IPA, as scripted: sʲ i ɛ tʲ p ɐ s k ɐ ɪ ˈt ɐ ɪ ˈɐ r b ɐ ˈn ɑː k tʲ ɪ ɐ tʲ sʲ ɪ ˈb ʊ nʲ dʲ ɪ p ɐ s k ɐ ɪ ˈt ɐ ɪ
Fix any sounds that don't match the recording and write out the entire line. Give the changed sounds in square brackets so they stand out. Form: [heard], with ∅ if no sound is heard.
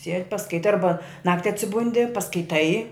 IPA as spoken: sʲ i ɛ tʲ p ɐ s k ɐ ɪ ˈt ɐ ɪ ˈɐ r b ɐ ˈn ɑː k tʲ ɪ ɐ tʲ sʲ ɪ ˈb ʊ nʲ dʲ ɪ p ɐ s k ɐ ɪ ˈt ɐ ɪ